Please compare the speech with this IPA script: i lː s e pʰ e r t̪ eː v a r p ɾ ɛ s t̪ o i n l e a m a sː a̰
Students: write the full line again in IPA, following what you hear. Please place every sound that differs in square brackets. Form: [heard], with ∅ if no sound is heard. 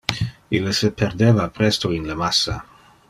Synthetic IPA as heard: i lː s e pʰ e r [d̪] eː v a [∅] p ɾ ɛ s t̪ o i n l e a m a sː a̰